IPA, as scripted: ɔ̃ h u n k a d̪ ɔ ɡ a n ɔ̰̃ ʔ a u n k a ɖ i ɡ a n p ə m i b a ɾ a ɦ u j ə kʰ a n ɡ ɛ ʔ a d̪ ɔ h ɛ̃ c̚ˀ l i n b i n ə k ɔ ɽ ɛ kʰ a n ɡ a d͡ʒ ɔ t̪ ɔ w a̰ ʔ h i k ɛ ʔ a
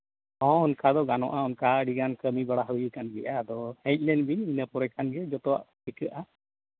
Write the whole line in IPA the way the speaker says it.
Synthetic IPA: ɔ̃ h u n k a d̪ ɔ ɡ a n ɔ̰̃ ʔ a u n k a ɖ i ɡ a n k ə m i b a ɽ a ɦ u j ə k a n ɡ ɛ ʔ a d̪ ɔ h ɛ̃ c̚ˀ l ɛ n b i n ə p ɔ ɾ ɛ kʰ a n ɡ ɛ d͡ʒ ɔ t̪ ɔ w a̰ ʔ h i k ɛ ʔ a

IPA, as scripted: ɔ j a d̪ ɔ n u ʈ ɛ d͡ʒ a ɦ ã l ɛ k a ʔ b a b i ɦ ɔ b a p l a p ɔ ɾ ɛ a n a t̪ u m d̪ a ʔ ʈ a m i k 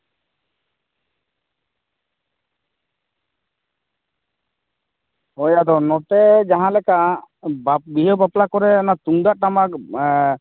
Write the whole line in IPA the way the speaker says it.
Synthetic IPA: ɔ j a d̪ ɔ n ɔ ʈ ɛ d͡ʒ a ɦ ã l ɛ k a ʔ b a b i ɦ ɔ b a p l a k ɔ ɾ ɛ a n a t̪ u ŋ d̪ a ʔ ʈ a m a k

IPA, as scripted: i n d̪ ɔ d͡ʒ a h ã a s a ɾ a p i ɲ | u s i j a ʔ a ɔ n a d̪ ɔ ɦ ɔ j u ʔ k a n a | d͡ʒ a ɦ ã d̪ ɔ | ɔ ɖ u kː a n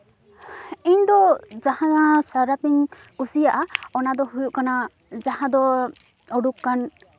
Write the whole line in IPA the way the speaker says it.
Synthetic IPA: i ɲ d̪ ɔ d͡ʒ a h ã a s a ɾ a p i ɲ | u s i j a ʔ a ɔ n a d̪ ɔ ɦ u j u ʔ k a n a | d͡ʒ a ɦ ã d̪ ɔ | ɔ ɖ u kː a n

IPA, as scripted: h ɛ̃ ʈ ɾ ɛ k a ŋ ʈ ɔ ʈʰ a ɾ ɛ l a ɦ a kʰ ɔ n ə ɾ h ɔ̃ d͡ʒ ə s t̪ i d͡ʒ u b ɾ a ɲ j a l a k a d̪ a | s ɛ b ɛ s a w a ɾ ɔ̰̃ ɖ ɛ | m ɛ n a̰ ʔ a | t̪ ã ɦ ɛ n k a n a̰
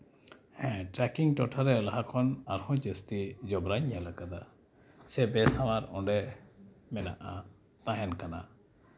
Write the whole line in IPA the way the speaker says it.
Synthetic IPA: h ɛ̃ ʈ ɾ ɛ k i ŋ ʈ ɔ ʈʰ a ɾ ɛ l a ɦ a kʰ ɔ n a ɾ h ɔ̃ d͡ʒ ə s t̪ i d͡ʒ ɔ b ɾ a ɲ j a l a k a d̪ a | s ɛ b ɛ s a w a ɾ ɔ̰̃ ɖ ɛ | m ɛ n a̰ ʔ a | t̪ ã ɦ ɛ n k a n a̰

